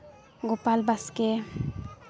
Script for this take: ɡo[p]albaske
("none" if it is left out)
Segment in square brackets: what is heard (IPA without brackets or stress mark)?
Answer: p